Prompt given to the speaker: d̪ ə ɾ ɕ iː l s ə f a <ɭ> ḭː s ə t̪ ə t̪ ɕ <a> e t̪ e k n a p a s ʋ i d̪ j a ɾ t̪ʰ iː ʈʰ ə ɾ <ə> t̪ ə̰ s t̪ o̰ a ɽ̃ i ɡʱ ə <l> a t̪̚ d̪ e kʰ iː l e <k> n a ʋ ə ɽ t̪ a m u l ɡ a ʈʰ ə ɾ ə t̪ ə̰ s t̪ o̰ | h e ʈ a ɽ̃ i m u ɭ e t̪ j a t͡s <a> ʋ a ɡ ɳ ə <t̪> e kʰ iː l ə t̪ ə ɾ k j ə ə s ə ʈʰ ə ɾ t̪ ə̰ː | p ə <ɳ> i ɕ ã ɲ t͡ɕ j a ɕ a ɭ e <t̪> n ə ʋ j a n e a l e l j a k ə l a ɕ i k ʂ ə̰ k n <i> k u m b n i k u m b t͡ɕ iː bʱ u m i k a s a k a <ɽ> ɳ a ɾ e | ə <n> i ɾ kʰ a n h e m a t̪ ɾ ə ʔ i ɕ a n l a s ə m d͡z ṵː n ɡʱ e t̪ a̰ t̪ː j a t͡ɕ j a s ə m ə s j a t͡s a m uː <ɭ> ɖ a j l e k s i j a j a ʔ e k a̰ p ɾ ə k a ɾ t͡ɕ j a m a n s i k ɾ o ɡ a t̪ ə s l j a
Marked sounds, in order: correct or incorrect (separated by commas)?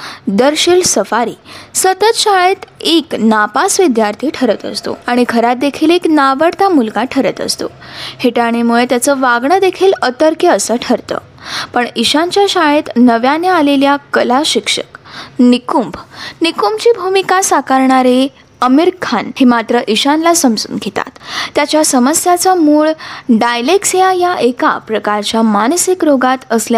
incorrect, correct, correct, incorrect, correct, incorrect, incorrect, correct, correct, correct, incorrect, incorrect, correct